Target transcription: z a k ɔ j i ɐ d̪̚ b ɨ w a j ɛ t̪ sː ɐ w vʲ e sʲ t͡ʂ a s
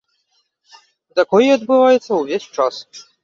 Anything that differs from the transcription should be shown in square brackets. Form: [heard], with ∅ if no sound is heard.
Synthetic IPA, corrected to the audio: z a k ɔ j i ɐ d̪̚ b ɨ [v] a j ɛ t̪ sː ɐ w vʲ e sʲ t͡ʂ a s